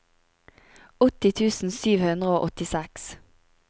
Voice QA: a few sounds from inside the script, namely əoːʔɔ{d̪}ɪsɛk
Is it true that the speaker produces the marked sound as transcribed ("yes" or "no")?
no